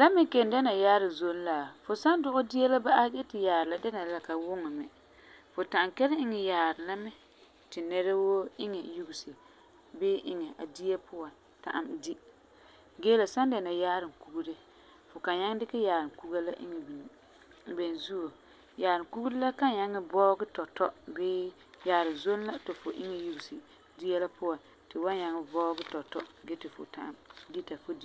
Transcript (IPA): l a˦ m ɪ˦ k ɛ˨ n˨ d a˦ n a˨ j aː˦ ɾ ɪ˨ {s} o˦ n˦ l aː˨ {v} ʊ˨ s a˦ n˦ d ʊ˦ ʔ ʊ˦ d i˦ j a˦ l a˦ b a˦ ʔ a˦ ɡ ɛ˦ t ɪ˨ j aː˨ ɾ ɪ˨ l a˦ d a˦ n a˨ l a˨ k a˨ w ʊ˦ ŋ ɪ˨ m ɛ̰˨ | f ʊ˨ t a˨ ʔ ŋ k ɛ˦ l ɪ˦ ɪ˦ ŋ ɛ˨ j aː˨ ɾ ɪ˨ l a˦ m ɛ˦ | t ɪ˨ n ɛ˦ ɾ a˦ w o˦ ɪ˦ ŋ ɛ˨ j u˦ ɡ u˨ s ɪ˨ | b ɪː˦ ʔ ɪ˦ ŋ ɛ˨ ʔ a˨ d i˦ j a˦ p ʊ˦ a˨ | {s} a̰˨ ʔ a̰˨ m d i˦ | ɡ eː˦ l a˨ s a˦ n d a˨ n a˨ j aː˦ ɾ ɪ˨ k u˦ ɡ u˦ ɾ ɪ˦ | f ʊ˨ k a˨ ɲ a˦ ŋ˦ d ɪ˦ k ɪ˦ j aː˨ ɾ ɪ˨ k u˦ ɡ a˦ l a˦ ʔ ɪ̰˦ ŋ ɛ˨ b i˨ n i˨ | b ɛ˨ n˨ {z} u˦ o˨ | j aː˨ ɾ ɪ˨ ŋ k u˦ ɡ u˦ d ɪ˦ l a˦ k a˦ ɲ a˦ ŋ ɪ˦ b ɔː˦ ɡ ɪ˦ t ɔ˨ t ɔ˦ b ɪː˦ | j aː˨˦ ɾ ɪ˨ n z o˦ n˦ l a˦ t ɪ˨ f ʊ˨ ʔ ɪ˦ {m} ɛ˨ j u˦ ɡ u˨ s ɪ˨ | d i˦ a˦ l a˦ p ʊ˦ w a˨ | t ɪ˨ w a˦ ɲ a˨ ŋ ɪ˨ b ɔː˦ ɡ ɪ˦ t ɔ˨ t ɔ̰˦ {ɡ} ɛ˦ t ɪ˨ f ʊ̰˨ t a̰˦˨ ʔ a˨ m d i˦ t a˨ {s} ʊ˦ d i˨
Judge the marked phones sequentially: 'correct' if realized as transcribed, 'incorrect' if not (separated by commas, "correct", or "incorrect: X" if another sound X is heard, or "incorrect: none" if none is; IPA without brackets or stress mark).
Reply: incorrect: z, incorrect: f, incorrect: t, correct, incorrect: ŋ, correct, incorrect: f